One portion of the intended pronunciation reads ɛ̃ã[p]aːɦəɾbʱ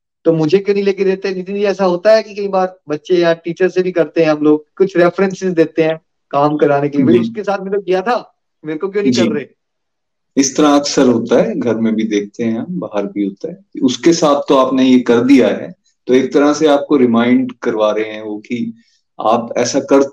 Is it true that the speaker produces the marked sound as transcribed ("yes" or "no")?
no